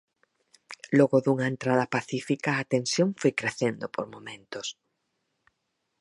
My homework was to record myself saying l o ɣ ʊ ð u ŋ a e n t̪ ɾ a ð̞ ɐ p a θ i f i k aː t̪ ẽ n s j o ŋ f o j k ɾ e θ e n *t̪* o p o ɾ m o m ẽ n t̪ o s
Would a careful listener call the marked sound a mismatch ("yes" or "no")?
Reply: yes